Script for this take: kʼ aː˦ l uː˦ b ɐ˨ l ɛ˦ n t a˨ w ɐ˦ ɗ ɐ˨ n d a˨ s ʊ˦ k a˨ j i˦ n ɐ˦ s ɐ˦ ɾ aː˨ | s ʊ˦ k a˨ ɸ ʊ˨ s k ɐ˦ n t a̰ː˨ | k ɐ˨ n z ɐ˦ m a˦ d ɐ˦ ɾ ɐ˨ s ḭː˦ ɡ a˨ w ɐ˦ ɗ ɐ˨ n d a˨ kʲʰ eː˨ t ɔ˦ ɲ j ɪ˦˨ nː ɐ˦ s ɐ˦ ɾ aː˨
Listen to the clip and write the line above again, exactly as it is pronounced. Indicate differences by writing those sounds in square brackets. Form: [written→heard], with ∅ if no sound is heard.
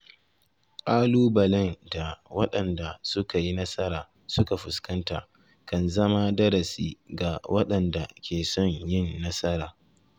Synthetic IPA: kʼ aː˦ l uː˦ b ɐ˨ l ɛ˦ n [t→d] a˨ w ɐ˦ ɗ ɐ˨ n d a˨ s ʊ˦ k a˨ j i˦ n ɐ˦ s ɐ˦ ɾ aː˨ | s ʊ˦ k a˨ ɸ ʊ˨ s k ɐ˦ n t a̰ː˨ | k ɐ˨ n z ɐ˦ m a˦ d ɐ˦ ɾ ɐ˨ s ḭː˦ ɡ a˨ w ɐ˦ ɗ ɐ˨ n d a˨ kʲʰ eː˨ [t→s] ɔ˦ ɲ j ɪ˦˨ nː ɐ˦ s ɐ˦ ɾ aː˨